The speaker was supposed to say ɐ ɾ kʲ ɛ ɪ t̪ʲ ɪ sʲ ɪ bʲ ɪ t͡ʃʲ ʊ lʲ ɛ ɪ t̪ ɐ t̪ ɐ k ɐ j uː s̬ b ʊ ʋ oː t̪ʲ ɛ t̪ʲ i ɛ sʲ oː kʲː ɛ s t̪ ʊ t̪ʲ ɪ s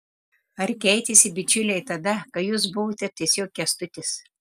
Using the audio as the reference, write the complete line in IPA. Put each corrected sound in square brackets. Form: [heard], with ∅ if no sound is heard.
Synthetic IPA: ɐ ɾ kʲ ɛ ɪ t̪ʲ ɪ sʲ ɪ bʲ ɪ t͡ʃʲ ʊ lʲ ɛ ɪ t̪ ɐ [d̪] ɐ k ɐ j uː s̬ b ʊ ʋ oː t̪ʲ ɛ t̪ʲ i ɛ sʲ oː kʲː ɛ s t̪ ʊ t̪ʲ ɪ s